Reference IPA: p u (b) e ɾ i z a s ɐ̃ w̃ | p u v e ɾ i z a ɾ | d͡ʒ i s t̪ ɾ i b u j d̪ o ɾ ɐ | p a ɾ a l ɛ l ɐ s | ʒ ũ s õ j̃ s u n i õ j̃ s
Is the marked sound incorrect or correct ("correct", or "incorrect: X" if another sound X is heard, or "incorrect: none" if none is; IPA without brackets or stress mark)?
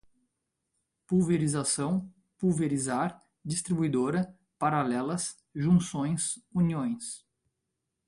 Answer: incorrect: v